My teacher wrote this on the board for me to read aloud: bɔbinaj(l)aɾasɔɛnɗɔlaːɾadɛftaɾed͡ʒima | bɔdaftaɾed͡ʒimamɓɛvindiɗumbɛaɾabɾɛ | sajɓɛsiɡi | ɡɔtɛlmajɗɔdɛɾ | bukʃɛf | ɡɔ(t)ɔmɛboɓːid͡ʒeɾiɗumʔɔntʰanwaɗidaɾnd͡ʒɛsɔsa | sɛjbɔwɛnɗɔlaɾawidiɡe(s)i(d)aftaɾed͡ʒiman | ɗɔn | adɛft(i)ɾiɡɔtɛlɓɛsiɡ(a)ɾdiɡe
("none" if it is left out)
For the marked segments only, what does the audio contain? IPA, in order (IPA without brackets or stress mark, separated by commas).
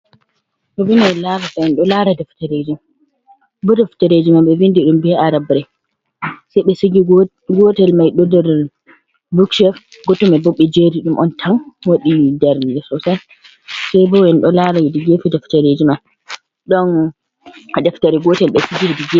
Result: l, t, f, d, a, i